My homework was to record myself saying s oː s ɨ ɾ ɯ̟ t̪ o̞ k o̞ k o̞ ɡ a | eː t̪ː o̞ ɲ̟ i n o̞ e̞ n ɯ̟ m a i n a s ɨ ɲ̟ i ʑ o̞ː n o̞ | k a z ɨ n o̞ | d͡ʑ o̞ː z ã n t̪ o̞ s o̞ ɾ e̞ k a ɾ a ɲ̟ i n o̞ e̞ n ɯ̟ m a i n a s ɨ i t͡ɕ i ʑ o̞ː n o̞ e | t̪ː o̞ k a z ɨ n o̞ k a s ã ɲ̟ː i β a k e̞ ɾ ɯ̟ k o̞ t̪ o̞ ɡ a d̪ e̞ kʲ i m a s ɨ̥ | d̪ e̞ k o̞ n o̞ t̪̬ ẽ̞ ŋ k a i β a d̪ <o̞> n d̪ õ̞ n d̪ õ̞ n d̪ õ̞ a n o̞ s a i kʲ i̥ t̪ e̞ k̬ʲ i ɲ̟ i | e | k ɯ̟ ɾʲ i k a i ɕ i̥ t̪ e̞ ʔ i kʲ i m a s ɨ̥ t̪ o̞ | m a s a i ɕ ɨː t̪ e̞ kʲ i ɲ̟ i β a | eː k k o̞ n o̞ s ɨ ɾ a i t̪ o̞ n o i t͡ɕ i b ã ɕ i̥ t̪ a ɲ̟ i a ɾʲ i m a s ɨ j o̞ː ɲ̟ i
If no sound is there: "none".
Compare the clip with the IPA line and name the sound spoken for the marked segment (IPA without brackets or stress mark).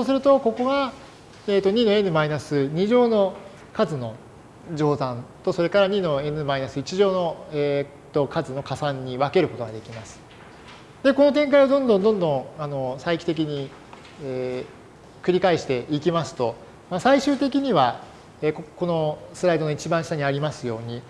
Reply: õ̞